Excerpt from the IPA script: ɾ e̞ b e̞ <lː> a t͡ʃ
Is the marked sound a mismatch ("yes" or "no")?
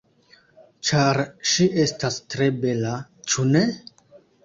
yes